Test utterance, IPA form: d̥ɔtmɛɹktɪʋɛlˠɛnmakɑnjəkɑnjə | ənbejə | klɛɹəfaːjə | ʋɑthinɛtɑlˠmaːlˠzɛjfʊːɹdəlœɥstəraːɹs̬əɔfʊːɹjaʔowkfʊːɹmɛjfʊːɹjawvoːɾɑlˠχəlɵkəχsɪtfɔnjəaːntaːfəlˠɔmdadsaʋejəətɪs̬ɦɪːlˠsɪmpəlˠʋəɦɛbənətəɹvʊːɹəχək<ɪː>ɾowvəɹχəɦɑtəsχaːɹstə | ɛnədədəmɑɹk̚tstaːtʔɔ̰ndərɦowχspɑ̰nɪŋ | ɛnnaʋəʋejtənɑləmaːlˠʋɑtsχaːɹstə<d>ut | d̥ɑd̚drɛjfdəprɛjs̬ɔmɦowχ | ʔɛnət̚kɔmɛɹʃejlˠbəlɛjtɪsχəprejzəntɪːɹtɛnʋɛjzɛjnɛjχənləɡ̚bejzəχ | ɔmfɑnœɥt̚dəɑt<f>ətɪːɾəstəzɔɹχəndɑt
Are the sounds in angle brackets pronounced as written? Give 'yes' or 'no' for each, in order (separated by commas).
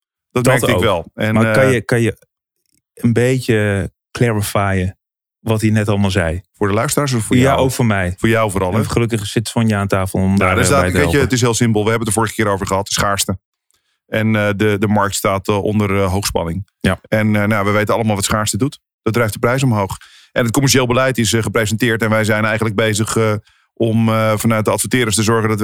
yes, yes, yes